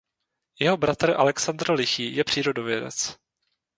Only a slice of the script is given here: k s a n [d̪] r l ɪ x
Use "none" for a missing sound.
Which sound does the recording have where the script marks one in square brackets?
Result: d̪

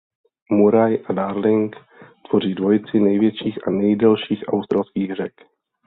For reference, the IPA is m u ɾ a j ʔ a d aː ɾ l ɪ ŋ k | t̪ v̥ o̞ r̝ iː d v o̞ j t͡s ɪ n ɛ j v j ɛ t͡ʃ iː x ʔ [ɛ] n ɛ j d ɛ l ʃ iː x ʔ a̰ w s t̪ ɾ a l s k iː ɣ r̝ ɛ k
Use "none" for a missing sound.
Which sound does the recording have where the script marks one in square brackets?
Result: a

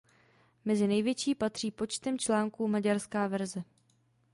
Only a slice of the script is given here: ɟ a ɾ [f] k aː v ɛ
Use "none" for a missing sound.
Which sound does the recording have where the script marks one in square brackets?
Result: s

